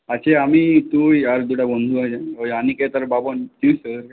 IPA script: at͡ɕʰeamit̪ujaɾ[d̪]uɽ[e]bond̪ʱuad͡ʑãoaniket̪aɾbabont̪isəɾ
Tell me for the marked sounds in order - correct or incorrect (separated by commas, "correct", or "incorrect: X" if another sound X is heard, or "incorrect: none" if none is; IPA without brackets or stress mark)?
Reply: correct, incorrect: a